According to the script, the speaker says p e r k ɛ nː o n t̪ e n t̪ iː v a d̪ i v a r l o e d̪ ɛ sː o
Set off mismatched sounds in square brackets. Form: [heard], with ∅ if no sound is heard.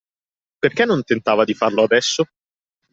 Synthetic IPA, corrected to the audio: p e r k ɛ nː o n t̪ e n t̪ [aː] v a d̪ i [f] a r l o [a] d̪ ɛ sː o